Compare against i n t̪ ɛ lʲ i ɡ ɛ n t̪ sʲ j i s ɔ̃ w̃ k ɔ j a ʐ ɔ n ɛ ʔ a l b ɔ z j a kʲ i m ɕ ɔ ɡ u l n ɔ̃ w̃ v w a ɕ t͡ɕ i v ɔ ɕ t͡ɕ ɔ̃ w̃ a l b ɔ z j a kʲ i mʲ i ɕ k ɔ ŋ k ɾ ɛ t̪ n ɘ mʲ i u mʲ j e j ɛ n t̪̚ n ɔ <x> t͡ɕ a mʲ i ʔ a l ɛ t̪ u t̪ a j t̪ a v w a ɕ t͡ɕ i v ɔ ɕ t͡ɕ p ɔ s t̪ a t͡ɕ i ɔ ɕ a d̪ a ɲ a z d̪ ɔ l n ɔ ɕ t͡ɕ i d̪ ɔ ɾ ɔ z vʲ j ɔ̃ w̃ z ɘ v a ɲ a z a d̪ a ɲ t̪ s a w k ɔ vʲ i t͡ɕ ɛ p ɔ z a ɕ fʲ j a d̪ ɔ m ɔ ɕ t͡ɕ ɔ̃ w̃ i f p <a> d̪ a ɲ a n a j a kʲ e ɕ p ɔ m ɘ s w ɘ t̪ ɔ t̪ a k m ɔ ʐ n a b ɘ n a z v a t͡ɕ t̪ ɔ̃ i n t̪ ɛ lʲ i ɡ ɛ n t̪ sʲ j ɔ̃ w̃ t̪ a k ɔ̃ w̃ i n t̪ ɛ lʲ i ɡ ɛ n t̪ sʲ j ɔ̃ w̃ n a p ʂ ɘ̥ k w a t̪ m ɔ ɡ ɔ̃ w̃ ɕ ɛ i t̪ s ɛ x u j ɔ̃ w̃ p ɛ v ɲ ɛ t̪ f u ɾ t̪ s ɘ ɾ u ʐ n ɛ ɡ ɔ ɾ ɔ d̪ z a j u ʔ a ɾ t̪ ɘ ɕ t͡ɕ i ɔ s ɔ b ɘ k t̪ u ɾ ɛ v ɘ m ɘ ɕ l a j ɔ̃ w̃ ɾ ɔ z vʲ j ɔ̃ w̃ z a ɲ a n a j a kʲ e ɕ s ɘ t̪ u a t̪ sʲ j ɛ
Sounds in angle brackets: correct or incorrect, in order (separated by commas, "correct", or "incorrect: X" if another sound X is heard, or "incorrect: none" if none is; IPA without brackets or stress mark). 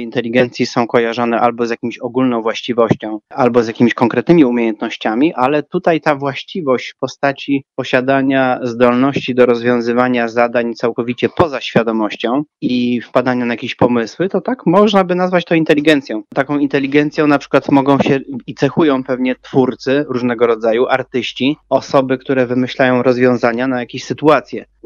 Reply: incorrect: ɕ, correct